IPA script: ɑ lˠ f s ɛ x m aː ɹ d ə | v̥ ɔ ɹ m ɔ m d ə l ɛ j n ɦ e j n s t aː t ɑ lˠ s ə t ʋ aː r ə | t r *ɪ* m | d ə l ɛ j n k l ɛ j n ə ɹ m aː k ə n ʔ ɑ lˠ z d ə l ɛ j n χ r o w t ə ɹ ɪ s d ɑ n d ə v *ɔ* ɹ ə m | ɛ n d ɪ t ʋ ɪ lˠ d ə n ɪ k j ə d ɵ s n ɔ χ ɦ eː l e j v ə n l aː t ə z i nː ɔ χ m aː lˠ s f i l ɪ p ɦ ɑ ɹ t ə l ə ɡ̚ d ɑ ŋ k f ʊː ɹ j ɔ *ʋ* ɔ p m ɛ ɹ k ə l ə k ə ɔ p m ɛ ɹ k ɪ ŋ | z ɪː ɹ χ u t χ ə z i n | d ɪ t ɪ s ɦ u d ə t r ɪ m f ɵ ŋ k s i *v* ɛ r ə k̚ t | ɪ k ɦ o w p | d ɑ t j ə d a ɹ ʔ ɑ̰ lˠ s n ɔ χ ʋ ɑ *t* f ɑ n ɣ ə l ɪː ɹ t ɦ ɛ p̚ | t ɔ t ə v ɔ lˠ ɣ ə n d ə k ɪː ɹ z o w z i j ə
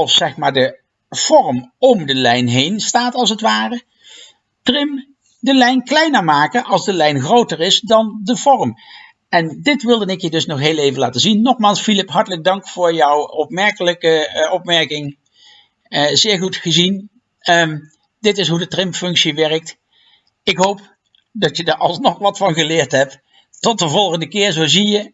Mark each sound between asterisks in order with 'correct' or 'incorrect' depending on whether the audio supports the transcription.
correct, correct, incorrect: w, incorrect: ʋ, correct

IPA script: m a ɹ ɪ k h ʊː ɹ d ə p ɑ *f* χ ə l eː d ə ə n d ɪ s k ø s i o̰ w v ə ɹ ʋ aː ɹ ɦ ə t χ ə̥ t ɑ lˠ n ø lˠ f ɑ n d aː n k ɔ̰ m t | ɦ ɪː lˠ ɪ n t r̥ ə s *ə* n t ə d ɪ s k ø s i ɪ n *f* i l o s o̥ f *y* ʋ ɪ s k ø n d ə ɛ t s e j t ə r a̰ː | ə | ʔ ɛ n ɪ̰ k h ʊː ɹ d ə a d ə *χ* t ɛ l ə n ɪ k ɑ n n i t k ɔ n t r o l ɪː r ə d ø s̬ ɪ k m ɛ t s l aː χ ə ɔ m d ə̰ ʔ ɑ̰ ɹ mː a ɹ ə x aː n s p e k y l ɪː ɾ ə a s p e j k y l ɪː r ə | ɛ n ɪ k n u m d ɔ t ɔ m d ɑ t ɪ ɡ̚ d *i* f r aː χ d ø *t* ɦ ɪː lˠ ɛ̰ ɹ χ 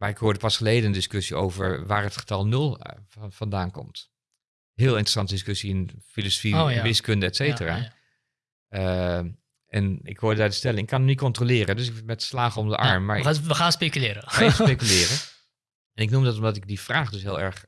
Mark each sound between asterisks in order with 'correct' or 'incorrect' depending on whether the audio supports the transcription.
incorrect: s, incorrect: ɑ, correct, incorrect: i, incorrect: s, correct, incorrect: s

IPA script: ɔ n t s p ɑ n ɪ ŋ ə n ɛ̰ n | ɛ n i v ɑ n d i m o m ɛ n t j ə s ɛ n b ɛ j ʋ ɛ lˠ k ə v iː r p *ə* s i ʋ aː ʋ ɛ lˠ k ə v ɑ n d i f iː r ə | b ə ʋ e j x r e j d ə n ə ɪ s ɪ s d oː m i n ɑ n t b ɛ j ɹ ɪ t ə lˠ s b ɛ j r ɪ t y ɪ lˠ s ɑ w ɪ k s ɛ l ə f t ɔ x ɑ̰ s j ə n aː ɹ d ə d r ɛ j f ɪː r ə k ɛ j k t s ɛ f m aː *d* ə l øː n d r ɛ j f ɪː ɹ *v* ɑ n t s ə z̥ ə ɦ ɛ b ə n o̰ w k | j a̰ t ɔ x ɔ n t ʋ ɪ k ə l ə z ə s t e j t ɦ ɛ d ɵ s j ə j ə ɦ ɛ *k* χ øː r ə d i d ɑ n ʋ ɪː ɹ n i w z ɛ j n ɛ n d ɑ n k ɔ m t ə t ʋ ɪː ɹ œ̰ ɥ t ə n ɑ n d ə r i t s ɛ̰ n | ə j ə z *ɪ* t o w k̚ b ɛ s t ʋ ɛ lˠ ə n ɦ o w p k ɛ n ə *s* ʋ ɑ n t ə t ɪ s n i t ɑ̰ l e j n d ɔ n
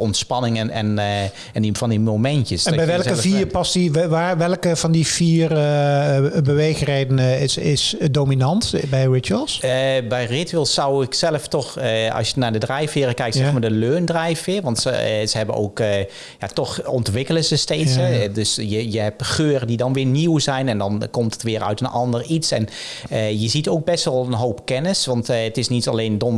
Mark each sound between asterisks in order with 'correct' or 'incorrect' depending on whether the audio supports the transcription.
incorrect: ɑ, correct, incorrect: ʋ, incorrect: p, incorrect: i, correct

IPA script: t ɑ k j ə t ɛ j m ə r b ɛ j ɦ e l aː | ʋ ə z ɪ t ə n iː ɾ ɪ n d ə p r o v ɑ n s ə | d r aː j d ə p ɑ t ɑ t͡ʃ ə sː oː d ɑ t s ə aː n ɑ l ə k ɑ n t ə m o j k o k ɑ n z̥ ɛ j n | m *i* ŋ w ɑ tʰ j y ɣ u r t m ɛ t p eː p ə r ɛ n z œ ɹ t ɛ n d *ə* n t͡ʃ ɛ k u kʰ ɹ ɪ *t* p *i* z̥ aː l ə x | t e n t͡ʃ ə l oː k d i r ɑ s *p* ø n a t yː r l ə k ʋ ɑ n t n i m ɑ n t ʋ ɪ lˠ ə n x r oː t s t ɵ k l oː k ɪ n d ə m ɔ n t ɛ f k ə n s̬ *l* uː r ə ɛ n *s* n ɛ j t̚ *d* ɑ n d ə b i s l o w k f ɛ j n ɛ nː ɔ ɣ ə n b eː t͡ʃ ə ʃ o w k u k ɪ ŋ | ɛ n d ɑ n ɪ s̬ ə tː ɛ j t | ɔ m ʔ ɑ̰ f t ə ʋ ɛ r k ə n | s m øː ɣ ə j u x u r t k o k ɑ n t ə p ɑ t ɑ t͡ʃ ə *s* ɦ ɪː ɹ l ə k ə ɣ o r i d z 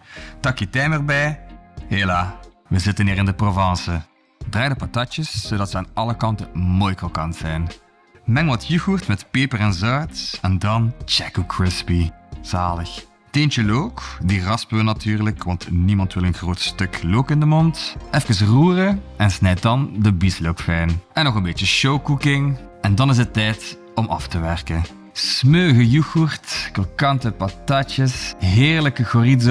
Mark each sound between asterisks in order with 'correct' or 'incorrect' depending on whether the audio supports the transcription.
incorrect: ɛ, incorrect: ɑ, incorrect: s, correct, correct, incorrect: r, correct, correct, correct

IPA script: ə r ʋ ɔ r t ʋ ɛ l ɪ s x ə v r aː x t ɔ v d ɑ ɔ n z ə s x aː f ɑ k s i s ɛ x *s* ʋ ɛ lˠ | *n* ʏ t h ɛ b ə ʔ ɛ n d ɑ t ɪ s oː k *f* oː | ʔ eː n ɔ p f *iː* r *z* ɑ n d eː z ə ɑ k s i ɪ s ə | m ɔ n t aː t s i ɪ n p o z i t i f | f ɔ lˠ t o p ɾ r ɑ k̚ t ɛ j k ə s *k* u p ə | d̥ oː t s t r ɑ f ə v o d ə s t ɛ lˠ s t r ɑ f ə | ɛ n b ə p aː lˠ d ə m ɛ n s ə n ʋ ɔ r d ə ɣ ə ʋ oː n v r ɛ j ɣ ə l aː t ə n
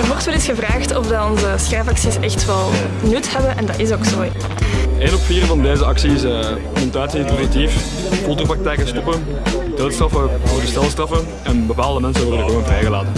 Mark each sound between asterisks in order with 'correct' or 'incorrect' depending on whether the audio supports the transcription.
incorrect: t, correct, incorrect: s, correct, incorrect: v, incorrect: t

